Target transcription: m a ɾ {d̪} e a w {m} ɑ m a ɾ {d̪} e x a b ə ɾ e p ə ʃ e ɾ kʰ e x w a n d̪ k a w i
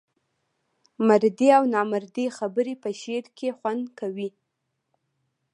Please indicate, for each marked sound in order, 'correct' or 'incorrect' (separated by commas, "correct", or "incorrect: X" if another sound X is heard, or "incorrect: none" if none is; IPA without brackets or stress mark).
correct, incorrect: n, correct